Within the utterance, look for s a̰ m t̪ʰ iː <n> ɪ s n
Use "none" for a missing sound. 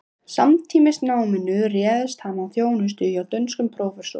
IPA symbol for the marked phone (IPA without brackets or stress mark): m